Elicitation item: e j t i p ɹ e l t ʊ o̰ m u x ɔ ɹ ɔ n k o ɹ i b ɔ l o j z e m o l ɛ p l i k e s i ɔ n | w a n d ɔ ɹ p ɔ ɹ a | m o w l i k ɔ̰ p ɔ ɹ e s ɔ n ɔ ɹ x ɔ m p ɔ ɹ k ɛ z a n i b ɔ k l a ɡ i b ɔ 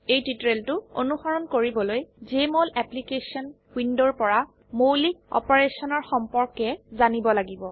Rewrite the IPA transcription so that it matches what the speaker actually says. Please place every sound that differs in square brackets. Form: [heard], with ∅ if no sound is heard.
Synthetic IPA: e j t i [t] ɹ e l t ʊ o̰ [n] u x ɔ ɹ ɔ n k o ɹ i b ɔ l o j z e m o l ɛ p l i k e s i ɔ n | w [i] n d ɔ ɹ p ɔ ɹ a | m o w l i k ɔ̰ p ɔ ɹ e s ɔ n ɔ ɹ x ɔ m p ɔ ɹ k ɛ z a n i b ɔ [∅] l a ɡ i b ɔ